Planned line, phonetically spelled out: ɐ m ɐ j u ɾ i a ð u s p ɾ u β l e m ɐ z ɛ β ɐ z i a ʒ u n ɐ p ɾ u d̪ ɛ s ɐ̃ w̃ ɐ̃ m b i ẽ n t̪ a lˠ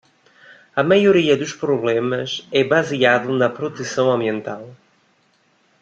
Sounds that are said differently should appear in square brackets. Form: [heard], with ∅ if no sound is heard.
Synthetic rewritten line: ɐ m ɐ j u ɾ i [ɐ] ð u [ʃ] p ɾ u β l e m ɐ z ɛ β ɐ z i a [ð] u n ɐ p ɾ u [t̪] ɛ s ɐ̃ w̃ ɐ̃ m b i ẽ n t̪ a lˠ